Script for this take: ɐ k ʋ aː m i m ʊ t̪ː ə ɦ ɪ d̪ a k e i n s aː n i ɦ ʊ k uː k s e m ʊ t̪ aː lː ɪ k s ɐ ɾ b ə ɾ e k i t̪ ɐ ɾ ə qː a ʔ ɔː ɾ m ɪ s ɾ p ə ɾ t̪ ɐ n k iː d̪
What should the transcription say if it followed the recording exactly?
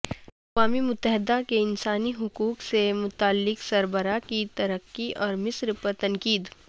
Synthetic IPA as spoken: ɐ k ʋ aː m i m ʊ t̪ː ə ɦ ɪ d̪ a k e ɪ n s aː n i ɦ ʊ k uː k s e m ʊ t̪ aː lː ɪ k s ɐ ɾ b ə ɾ a k i t̪ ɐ ɾ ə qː i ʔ ɔː ɾ m ɪ s ɾ p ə ɾ t̪ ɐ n k iː d̪

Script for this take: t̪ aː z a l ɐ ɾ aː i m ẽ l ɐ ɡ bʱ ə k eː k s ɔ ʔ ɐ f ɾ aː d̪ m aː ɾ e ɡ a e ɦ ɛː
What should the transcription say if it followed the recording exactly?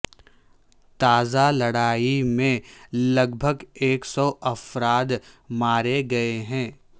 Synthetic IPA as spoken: t̪ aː z a l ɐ ɽ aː i m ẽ l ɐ ɡ bʱ ə ɡ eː k s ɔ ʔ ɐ f ɾ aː d̪ m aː ɾ e ɡ ɐ e ɦ ɛ̃ː

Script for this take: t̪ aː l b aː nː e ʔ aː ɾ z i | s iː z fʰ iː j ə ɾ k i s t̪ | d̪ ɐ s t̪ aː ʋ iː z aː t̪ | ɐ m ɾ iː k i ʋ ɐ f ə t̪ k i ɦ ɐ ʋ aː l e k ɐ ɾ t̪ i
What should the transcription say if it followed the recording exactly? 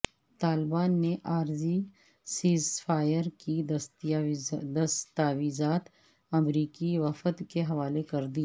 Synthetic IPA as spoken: t̪ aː l b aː nː e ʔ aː ɾ z i | s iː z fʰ aː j ə ɾ k i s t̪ | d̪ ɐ s t̪ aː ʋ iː z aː t̪ | ɐ m ɾ iː k i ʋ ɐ f ə t̪ k e ɦ ɐ ʋ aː l e k ɐ ɾ d̪ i

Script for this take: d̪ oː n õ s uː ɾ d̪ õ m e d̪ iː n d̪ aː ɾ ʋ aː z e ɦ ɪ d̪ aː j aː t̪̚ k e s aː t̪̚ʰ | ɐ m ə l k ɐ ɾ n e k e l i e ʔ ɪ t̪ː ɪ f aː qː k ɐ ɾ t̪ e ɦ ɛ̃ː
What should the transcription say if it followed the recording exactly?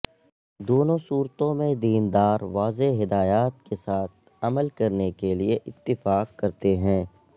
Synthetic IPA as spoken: d̪ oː n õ s uː ɾ t̪ õ m ẽ d̪ iː n d̪ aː ɾ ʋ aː z e ɦ ɪ d̪ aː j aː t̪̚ k e s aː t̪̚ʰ | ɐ m ə l k ɐ ɾ n e k e l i e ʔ ɪ t̪ː ɪ f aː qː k ɐ ɾ t̪ e ɦ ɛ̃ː

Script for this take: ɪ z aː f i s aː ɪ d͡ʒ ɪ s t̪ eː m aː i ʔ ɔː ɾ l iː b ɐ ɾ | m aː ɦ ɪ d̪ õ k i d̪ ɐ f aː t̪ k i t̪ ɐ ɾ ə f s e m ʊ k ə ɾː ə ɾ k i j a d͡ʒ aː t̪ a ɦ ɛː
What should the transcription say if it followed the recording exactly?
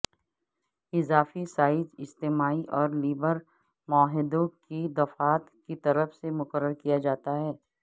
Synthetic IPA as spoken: ɪ z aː f i s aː ɪ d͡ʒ ɪ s t̪ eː m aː i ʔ ɔː ɾ l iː b ə ɾ | m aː ɦ ɪ d̪ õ k i d̪ ɐ f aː t̪ k i t̪ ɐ ɾ ə f s e m ʊ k ə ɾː ə ɾ k i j a d͡ʒ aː t̪ a ɦ ɛː

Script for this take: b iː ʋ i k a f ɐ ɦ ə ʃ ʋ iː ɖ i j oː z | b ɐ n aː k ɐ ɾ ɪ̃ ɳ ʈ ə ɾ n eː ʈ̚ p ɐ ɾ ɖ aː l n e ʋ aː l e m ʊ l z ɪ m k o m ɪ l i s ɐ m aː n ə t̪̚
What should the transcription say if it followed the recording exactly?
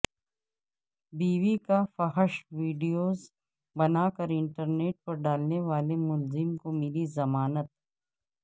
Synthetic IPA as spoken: b iː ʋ i k a f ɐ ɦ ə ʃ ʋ iː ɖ i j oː z | b ɐ n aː k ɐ ɾ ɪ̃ ɳ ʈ ə ɾ n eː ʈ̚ p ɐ ɾ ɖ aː l n e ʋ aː l e m ʊ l z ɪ m k o m ɪ l i z ɐ m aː n ə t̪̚

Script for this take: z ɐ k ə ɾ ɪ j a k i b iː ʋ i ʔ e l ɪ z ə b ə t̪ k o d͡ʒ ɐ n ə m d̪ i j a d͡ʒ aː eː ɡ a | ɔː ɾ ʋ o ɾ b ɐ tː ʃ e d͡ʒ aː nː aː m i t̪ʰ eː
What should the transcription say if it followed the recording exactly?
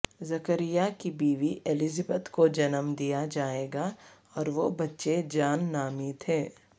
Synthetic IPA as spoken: z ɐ k ə ɾ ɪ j a k i b iː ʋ i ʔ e l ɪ z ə b ə t̪ k o d͡ʒ ɐ n ə m d̪ i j a d͡ʒ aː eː ɡ a | ɔː ɾ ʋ o b ɐ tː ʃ e d͡ʒ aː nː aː m i t̪ʰ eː

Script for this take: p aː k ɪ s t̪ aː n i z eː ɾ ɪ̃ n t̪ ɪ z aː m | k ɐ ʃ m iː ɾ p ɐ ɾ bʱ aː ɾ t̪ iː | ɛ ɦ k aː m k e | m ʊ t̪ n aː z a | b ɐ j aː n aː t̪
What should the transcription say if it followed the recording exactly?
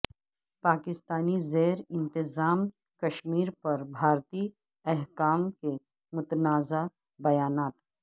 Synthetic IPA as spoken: p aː k ɪ s t̪ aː n i z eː ɾ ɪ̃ n t̪ ɪ z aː m | k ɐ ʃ m iː ɾ p ɐ ɾ bʱ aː ɾ t̪ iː | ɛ ɦ k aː m k e | m ʊ t̪ n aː z a | b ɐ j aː n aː t̪

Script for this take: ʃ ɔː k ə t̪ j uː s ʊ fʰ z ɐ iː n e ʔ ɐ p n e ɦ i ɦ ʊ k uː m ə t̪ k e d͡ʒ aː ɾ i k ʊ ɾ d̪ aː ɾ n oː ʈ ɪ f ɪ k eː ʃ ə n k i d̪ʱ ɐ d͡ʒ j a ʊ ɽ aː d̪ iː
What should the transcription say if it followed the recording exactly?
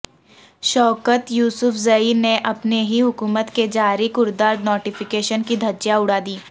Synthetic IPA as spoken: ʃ ɔː k ə t̪ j uː s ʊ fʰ z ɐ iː n e ʔ ɐ p n e ɦ i ɦ ʊ k uː m ə t̪ k e d͡ʒ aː ɾ i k ʊ ɾ d̪ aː ɾ n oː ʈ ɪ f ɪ k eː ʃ ə n k i d̪ʱ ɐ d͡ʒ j a ʊ ɽ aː d̪ iː

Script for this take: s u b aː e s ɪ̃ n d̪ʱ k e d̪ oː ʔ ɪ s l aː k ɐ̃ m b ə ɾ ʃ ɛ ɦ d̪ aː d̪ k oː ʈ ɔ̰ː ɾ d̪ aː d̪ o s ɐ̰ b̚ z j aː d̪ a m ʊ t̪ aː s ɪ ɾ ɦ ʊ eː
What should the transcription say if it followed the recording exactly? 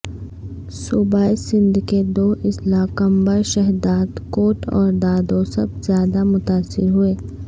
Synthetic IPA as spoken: s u b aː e s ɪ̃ n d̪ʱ k e d̪ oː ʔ ɪ s l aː k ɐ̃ m b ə ɾ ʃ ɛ ɦ d̪ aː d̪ k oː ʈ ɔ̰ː ɾ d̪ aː d̪ o s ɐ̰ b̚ z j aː d̪ a m ʊ t̪ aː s ɪ ɾ ɦ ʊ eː

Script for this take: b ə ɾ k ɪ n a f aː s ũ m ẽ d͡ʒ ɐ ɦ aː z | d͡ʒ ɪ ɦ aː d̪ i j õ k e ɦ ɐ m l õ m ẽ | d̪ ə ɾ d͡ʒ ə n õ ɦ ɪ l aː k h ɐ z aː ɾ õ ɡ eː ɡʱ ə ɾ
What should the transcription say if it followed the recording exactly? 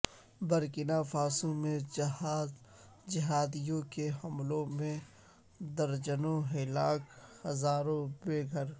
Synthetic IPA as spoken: b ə ɾ k ɪ n a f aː s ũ m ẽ d͡ʒ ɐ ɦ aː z | d͡ʒ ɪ ɦ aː d̪ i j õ k e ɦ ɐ m l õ m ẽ | d̪ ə ɾ d͡ʒ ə n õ ɦ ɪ l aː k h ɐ z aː ɾ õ b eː ɡʱ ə ɾ

